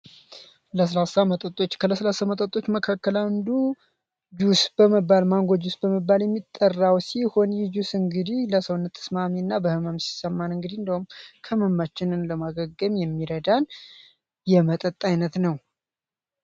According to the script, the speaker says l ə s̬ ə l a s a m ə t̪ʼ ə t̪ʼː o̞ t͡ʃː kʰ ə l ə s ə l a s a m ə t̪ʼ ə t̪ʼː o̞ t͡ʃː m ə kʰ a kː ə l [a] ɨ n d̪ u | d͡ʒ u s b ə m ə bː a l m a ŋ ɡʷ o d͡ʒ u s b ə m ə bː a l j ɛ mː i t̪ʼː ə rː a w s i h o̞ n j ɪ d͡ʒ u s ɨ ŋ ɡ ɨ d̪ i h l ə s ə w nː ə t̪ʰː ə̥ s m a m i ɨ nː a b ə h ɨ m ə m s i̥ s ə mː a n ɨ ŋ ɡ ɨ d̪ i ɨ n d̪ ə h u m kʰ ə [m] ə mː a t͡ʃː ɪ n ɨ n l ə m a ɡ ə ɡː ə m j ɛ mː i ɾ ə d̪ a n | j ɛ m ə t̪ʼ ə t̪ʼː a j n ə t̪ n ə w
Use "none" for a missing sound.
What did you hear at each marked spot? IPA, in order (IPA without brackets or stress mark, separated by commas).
a, m